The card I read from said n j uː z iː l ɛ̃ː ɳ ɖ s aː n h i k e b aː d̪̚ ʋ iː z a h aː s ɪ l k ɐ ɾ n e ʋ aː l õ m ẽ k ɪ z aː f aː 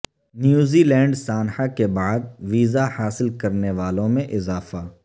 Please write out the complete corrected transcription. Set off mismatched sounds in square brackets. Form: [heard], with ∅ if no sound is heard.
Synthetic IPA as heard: n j uː z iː l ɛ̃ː ɳ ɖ s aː n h [a] k e b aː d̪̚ ʋ iː z a h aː s ɪ l k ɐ ɾ n e ʋ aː l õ m ẽ [ʔ] ɪ z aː f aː